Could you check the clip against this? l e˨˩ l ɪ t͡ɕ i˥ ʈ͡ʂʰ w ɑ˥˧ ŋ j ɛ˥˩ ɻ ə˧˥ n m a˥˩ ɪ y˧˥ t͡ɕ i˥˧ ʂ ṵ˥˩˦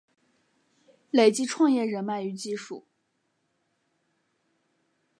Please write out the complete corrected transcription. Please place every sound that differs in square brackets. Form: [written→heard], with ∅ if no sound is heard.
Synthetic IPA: l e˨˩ [l→∅] ɪ t͡ɕ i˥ ʈ͡ʂʰ w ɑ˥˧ ŋ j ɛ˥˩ ɻ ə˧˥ n m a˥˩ ɪ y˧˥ t͡ɕ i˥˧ ʂ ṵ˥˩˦